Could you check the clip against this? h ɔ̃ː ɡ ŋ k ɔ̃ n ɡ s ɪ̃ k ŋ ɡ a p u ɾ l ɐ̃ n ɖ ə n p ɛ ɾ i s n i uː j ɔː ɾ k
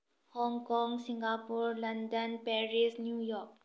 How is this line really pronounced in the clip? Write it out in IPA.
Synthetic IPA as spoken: h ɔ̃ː ŋ k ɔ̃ ŋ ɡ s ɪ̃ ŋ ɡ a p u ɾ l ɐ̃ n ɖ ə n p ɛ ɾ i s n j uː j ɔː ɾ k

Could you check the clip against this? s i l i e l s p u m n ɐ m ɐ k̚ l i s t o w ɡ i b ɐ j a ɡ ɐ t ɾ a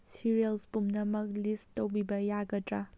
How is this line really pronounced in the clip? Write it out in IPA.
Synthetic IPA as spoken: s i ɾ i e l s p u m n ɐ m ɐ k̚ l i s t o w b i b ɐ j a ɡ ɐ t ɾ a

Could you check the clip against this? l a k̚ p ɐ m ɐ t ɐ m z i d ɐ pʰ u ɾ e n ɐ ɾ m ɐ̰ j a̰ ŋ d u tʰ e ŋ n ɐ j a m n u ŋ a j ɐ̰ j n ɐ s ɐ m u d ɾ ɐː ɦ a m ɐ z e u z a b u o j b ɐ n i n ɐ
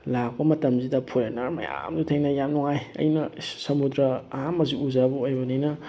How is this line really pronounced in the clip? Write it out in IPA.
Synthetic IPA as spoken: l a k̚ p ɐ m ɐ t ɐ m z i d ɐ pʰ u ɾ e n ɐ ɾ m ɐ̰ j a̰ m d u tʰ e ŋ n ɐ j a m n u ŋ a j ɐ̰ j n ɐ s ɐ m u d ɾ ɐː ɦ a m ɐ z i u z a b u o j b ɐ n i n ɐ

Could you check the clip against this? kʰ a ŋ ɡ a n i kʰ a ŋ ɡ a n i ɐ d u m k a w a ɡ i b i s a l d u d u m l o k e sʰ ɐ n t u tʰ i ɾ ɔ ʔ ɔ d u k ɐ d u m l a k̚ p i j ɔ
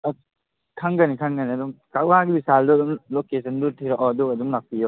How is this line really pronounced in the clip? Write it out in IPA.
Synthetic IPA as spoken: kʰ a ŋ ɡ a n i kʰ a ŋ ɡ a n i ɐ d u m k a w a ɡ i b i s a l d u d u m l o k e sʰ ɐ n d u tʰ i ɾ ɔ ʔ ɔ d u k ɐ d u m l a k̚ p i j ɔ

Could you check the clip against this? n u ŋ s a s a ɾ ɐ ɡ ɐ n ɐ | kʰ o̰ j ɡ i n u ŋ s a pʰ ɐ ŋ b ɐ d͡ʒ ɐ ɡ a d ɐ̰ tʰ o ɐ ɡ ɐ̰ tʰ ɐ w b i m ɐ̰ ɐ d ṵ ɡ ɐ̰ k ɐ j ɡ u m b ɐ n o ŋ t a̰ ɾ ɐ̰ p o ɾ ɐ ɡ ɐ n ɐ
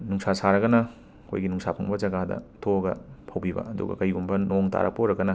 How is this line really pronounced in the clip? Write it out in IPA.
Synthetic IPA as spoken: n u ŋ s a s a ɾ ɐ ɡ ɐ n ɐ | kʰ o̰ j ɡ i n u ŋ s a pʰ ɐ ŋ b ɐ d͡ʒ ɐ ɡ a d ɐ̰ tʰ o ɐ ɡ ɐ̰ pʰ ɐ w b i b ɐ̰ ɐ d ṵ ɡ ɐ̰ k ɐ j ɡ u m b ɐ n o ŋ t a̰ ɾ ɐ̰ p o ɾ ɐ ɡ ɐ n ɐ

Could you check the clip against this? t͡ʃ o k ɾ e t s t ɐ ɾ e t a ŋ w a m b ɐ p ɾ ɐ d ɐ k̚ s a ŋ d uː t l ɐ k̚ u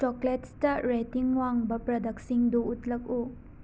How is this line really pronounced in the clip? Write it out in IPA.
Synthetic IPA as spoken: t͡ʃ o k l e t s t ɐ ɾ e t i ŋ w a ŋ b ɐ p ɾ ɐ d ɐ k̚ s i ŋ d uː t l ɐ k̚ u

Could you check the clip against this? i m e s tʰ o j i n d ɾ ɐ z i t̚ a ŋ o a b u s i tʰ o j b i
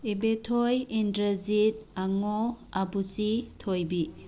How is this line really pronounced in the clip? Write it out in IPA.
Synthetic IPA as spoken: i b e tʰ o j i n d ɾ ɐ z i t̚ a ŋ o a b u s i tʰ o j b i

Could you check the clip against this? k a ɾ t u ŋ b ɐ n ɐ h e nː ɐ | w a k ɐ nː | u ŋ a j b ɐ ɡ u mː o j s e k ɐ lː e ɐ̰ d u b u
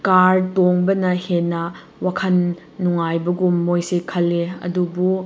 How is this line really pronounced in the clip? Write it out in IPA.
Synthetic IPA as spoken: k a ɾ t o ŋ b ɐ n ɐ h e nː ɐ | w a kʰ ɐ nː | u ŋ a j b ɐ ɡ u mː o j s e kʰ ɐ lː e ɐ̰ d u b u

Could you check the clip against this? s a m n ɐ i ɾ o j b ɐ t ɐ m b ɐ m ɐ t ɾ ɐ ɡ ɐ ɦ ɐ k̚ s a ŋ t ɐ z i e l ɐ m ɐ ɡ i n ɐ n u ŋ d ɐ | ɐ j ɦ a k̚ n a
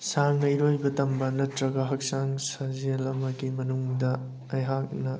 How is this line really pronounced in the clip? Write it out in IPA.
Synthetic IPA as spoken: s a ŋ n ɐ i ɾ o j b ɐ t ɐ m b ɐ n ɐ t ɾ ɐ ɡ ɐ ɦ ɐ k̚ s a ŋ s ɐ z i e l ɐ m ɐ ɡ i m ɐ n u ŋ d ɐ | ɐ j ɦ a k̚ n ɐ

